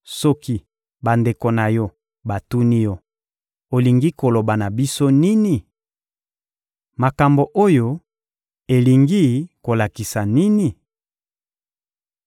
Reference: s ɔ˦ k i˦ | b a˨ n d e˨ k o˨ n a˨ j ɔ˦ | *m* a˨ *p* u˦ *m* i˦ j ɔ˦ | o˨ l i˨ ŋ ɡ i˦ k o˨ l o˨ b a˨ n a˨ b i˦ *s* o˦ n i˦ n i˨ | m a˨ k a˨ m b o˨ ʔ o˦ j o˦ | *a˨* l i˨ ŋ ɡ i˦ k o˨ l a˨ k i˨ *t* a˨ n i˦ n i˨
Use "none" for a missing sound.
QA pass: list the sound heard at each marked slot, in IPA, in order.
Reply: b, t, n, s, e˨, s

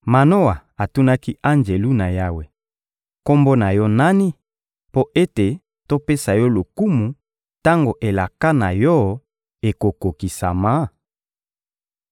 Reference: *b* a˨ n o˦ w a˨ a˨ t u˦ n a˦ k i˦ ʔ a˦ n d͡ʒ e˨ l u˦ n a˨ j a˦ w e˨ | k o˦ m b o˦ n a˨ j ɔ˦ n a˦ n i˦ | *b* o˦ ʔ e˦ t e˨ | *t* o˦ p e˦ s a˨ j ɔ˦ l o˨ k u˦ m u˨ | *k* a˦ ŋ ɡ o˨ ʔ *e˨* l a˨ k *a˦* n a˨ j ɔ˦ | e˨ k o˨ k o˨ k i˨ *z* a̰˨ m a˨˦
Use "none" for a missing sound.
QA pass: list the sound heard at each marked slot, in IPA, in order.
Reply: m, p, t, t, e˨, a˦, s

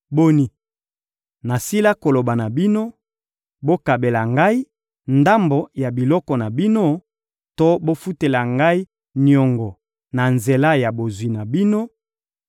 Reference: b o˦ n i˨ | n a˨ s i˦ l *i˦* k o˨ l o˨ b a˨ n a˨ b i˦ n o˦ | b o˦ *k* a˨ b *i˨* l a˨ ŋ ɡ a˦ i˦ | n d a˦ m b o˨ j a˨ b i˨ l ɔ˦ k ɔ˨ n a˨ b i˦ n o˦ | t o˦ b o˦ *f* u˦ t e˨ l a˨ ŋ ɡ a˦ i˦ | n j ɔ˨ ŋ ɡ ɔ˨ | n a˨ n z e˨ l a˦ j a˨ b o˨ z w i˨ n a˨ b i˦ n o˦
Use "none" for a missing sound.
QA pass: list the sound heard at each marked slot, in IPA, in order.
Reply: a˦, k, e˨, f

